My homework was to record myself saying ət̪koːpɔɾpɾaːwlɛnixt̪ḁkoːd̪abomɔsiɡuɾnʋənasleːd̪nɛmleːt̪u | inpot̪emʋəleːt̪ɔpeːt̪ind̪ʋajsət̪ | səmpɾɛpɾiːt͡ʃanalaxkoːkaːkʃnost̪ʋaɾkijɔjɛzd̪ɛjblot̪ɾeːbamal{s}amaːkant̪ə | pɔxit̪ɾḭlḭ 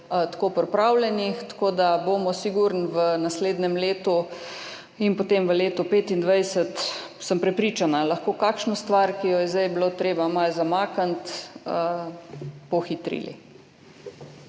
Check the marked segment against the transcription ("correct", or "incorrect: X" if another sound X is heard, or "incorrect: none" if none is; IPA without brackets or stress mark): incorrect: z